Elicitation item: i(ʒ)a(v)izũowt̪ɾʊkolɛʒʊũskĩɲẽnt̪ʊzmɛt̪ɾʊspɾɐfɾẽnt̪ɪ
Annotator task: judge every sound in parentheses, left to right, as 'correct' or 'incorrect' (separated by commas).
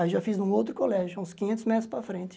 correct, incorrect